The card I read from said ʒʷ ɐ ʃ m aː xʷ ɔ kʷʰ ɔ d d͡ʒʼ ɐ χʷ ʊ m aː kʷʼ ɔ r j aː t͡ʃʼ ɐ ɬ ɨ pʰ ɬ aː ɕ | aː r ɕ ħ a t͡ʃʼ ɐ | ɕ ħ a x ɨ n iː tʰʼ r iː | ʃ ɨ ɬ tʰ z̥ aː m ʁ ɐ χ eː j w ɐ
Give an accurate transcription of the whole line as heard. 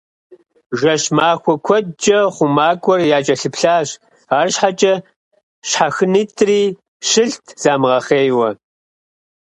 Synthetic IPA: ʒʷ ɐ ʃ m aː xʷ ɔ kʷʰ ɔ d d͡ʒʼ ɐ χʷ ʊ m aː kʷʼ ɔ r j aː t͡ʃʼ ɐ ɬ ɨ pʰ ɬ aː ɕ | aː r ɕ ħ a t͡ʃʼ ɐ | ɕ ħ a x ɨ n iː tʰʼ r iː | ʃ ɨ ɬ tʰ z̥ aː m ʁ ɐ χ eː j w ɐ